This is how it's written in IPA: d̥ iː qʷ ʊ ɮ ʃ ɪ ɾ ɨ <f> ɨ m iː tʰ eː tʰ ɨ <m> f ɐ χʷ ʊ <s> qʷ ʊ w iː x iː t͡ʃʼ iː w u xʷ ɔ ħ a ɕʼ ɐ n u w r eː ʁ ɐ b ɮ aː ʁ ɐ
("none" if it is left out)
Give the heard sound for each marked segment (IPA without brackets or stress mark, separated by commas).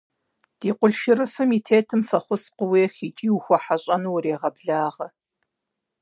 f, m, s